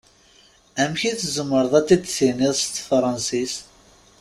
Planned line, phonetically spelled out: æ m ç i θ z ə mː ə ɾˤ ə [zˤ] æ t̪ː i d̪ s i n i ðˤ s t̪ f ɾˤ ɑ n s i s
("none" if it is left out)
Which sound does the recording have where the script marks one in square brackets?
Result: ðˤ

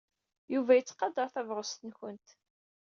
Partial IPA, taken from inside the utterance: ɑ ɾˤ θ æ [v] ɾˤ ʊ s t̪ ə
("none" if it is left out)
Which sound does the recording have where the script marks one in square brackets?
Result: v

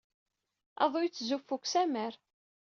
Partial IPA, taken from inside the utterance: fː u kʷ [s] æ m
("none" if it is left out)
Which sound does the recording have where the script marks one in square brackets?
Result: s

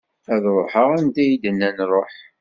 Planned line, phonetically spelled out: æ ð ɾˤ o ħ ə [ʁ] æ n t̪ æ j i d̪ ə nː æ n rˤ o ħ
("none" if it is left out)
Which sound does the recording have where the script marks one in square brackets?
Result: ʁ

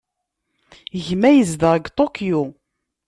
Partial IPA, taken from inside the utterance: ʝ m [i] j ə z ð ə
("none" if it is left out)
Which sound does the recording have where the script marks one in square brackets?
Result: æ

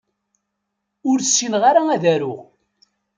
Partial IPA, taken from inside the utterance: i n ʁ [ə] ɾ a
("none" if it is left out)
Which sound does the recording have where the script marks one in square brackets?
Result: a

